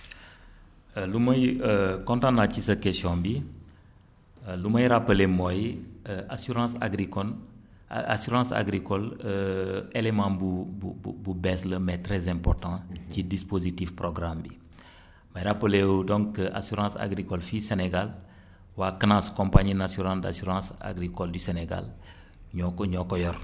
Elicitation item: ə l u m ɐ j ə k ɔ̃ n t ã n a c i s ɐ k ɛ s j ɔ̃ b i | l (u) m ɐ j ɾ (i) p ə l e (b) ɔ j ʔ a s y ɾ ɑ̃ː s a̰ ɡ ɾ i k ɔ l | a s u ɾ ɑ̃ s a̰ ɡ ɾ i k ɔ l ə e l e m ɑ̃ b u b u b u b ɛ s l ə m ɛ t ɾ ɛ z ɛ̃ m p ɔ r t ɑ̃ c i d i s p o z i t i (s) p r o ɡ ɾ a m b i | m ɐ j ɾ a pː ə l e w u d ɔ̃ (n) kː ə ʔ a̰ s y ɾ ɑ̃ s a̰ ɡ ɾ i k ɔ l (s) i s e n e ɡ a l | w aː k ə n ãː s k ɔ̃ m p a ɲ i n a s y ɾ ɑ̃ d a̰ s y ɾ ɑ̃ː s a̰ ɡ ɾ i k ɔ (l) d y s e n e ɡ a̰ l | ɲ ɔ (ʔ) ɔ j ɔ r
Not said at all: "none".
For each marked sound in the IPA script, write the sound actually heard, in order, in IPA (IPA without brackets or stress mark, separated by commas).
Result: u, a, m, f, ŋ, f, l, k